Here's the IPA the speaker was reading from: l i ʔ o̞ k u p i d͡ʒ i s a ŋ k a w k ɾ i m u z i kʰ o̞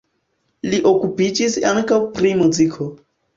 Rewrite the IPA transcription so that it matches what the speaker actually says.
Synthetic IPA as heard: l i ʔ o̞ k u p i d͡ʒ i s a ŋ k a w p ɾ i m u z i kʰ o̞